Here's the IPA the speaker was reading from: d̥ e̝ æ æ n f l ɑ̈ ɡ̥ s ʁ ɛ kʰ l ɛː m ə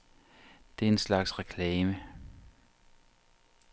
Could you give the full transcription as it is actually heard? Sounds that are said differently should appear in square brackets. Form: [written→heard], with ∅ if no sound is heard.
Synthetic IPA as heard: d̥ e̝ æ [æ→e] n [f→s] l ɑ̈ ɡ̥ s ʁ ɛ kʰ l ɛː m ə